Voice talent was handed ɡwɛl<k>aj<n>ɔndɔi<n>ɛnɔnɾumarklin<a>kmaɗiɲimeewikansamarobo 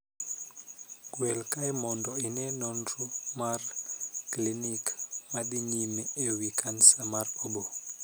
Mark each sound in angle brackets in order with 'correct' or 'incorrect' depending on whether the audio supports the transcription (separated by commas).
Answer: correct, incorrect, correct, incorrect